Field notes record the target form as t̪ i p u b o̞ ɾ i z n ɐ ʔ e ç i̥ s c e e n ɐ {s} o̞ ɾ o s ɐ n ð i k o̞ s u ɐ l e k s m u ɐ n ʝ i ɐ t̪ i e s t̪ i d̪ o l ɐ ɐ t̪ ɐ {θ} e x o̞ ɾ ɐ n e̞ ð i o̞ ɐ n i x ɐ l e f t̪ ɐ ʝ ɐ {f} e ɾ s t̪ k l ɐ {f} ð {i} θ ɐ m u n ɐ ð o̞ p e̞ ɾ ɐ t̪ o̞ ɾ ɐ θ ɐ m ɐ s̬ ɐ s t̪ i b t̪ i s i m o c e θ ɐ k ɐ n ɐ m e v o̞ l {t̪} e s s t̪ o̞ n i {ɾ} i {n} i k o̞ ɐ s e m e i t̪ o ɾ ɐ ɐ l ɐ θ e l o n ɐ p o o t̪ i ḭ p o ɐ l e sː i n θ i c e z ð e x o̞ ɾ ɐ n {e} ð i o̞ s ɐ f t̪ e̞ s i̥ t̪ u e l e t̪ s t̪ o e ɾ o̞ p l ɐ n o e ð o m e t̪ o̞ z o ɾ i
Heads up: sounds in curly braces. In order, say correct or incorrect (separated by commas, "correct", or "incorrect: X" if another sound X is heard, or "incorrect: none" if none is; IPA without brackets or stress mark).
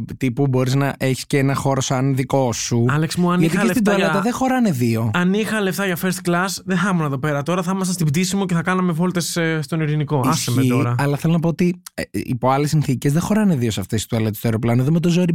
incorrect: x, incorrect: ð, correct, incorrect: s, incorrect: e, correct, correct, correct, correct